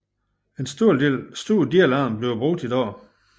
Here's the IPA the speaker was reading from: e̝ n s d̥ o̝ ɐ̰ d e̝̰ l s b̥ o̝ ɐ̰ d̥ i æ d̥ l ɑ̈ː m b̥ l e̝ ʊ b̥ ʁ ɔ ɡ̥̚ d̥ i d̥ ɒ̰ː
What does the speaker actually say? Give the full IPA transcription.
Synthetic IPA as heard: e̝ n s d̥ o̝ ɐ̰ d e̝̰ l s d̥ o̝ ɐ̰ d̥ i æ l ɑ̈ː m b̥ l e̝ ʊ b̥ ʁ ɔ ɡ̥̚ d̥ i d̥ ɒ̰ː